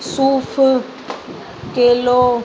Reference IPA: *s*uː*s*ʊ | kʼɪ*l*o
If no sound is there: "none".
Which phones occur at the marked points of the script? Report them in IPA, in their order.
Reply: s, f, l

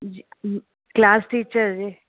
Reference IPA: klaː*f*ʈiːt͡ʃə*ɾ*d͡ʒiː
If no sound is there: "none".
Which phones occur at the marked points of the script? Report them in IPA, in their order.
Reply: s, ɾ

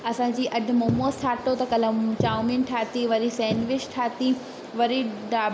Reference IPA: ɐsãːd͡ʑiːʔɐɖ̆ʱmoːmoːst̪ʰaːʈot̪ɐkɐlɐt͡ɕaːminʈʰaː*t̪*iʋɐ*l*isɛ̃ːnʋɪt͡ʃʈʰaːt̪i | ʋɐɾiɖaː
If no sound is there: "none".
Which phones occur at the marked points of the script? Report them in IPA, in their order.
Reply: t̪, ɾ

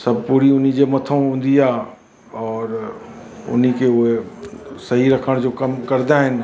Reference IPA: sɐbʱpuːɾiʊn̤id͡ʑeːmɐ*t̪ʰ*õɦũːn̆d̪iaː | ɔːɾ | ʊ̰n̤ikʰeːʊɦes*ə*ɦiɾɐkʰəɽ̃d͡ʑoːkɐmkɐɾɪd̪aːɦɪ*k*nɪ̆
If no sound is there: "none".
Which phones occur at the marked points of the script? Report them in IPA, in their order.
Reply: t̪ʰ, ɐ, none

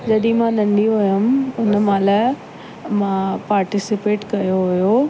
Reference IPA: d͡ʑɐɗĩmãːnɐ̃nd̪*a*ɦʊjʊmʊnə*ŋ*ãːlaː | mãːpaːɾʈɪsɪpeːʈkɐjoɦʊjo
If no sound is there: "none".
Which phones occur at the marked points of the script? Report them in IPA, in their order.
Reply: i, m

